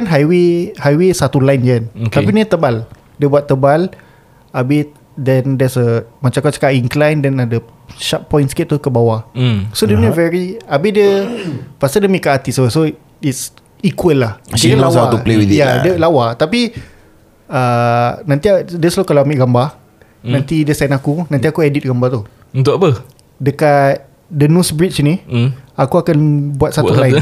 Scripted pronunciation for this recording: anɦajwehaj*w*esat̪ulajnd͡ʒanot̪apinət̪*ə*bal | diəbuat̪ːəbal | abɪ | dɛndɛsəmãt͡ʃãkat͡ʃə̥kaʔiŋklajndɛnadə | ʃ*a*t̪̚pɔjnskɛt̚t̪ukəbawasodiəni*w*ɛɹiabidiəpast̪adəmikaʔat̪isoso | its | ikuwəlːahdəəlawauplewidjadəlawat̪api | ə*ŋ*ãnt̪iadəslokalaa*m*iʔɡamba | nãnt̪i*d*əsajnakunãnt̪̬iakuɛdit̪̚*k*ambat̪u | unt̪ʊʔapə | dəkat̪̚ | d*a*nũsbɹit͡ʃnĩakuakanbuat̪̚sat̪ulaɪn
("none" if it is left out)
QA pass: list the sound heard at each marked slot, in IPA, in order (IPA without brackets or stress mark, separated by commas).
w, ə, a, v, n, m, d, ɡ, ə